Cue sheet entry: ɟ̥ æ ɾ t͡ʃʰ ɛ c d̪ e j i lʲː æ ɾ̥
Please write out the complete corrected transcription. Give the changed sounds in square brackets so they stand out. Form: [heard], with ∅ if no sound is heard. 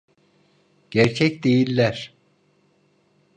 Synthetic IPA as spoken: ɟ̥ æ ɾ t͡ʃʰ ɛ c d̪ e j i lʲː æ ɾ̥